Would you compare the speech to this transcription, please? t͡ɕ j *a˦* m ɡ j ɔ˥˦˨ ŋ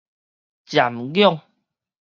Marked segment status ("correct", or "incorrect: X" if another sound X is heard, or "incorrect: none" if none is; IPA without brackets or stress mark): incorrect: a˨